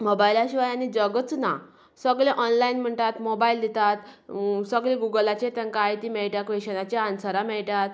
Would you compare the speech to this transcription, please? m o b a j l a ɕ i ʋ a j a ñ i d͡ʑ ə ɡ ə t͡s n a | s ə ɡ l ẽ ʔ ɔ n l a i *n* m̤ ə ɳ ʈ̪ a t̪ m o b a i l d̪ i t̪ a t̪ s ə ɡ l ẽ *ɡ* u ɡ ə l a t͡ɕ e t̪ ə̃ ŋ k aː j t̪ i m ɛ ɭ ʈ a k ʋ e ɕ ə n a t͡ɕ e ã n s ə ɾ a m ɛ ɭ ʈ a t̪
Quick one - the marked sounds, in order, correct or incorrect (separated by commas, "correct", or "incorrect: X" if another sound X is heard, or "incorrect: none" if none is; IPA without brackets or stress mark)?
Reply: correct, correct